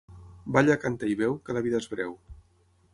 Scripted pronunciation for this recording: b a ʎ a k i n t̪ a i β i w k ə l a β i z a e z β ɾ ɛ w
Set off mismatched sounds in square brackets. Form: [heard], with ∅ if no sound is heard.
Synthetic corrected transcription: b a ʎ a k [a] n t̪ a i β [ɛ] w k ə l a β i [ð] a e z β ɾ ɛ w

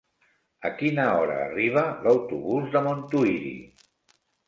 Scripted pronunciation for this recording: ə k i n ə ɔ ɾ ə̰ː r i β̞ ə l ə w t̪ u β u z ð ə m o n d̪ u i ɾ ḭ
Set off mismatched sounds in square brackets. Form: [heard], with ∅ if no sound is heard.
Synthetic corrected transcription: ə k i n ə ɔ ɾ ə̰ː r i β̞ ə l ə w t̪ u β u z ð ə m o n [t̪] u i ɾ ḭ

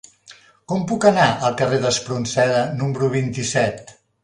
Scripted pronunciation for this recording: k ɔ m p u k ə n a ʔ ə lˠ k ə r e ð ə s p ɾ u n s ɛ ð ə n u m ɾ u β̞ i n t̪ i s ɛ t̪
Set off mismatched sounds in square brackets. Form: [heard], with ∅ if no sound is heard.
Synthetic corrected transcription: k ɔ m p u k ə n a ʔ ə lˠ k ə r e ð ə s p ɾ u n s ɛ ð ə n u m ɾ u β̞ i n t̪ i s ɛ t̪

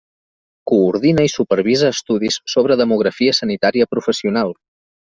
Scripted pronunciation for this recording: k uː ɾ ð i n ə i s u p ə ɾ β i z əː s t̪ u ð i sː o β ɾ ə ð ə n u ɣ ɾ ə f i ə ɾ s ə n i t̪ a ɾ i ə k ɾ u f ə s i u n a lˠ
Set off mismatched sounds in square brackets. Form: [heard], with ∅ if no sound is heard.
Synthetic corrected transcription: k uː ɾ ð i n ə i s u p ə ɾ β i z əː s t̪ u ð i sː o β ɾ ə ð ə [m] u ɣ ɾ ə f i ə [∅] s ə n i t̪ a ɾ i ə [p] ɾ u f ə s i u n a lˠ

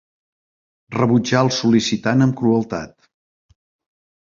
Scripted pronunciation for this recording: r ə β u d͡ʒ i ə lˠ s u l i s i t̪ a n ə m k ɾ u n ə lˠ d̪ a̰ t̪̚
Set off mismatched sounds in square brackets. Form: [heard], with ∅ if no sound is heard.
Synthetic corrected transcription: r ə β u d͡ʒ [a] ə lˠ s u l i s i t̪ a n ə m k ɾ u [∅] ə lˠ [t̪] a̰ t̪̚

